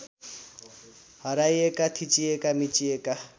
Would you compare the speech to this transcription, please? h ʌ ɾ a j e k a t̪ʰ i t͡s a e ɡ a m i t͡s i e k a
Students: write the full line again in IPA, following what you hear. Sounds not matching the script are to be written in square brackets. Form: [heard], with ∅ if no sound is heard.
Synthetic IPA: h ʌ ɾ a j e k a t̪ʰ i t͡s [i] e [k] a m i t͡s i e k a